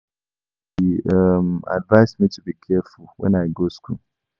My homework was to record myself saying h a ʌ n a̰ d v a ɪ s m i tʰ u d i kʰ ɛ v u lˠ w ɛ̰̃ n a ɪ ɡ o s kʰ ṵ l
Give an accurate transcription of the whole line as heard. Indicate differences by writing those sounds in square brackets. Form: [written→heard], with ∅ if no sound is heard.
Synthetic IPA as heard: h [a→i] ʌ [n→m] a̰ d v a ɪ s m i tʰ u [d→b] i kʰ ɛ [v→f] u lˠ w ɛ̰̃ n a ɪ ɡ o s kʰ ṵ l